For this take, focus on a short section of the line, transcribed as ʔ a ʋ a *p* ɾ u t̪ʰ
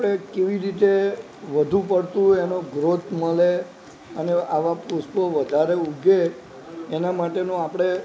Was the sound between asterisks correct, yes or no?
yes